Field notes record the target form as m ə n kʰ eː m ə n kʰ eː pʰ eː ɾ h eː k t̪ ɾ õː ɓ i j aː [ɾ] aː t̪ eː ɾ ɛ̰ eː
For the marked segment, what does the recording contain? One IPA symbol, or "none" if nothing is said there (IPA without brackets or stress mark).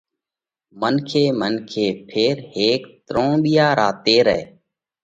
ɾ